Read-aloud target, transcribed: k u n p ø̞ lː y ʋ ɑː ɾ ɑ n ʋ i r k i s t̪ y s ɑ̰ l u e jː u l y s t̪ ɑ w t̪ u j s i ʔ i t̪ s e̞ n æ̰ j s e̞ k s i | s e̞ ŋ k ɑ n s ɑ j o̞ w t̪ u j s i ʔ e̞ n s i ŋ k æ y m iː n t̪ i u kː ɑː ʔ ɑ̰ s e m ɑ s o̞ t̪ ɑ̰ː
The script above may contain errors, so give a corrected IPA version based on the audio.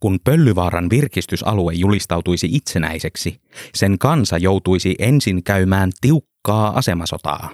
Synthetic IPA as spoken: k u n p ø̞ lː y ʋ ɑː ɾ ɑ n ʋ i r k i s t̪ y s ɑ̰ l u e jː u l i s t̪ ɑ w t̪ u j s i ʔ i t̪ s e̞ n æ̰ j s e̞ k s i | s e̞ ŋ k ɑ n s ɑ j o̞ w t̪ u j s i ʔ e̞ n s i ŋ k æ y m æː n t̪ i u kː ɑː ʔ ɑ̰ s e m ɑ s o̞ t̪ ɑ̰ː